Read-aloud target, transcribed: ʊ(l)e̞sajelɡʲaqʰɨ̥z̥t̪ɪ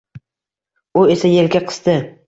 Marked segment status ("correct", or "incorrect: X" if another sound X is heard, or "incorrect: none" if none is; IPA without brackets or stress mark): incorrect: none